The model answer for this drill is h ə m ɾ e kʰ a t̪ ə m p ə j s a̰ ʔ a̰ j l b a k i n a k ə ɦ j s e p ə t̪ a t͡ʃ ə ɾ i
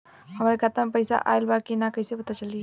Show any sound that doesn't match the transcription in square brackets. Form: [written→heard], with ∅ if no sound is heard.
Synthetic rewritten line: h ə m ɾ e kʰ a t̪ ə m p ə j s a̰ ʔ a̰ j l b a k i n a k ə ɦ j s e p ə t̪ a t͡ʃ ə [ɾ→l] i

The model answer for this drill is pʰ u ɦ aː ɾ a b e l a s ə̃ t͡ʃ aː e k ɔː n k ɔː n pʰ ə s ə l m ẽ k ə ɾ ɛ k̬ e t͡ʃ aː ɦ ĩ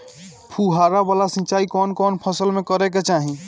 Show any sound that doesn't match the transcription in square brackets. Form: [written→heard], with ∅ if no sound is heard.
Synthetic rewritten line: pʰ u ɦ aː ɾ a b [e→a] l a s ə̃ t͡ʃ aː [e→i] k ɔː n k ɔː n pʰ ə s ə l m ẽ k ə ɾ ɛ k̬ e t͡ʃ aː ɦ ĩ

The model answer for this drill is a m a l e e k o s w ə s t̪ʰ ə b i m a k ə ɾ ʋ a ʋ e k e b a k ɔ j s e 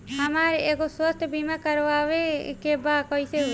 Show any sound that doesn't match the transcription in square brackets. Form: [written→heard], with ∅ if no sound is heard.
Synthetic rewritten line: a m a [l→ɾ] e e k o s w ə s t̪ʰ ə b i m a k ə ɾ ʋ a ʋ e k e b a k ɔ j s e

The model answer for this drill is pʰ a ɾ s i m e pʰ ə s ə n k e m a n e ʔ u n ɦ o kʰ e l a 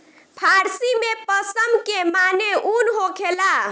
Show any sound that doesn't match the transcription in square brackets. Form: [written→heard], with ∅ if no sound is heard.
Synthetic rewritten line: pʰ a ɾ s i m e [pʰ→p] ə s ə [n→m] k e m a n e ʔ u n ɦ o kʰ e l a

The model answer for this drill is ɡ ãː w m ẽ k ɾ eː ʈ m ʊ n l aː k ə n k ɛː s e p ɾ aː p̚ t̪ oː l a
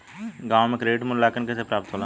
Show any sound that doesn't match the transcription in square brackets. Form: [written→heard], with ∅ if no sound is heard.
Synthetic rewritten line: ɡ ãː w m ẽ k ɾ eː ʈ m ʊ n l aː k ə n k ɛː s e p ɾ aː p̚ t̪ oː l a

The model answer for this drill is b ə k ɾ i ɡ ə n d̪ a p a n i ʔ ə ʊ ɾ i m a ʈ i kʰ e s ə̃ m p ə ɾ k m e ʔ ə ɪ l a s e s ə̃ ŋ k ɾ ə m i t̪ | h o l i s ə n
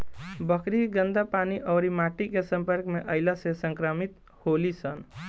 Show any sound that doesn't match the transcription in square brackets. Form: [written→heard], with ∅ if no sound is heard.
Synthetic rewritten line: b ə k ɾ i ɡ ə n d̪ a p a n i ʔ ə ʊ ɾ i m a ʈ i [kʰ→k] e s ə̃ m p ə ɾ k m e ʔ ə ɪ l a s e s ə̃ ŋ k ɾ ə m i t̪ | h o l i s ə n

